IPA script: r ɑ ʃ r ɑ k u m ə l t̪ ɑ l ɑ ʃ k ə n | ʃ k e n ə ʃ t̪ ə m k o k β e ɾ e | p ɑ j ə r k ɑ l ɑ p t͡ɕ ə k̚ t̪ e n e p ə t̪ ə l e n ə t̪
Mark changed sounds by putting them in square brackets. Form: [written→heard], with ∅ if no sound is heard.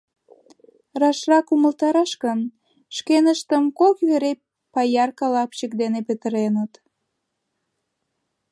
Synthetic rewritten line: r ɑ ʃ r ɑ k u m ə l t̪ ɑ [l→ɾ] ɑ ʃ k ə n | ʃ k e n ə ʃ t̪ ə m k o k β e ɾ e | p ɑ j [ə→ɑ] r k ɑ l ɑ p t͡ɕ ə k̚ [t̪→d̪] e n e p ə t̪ ə [l→ɾ] e n ə t̪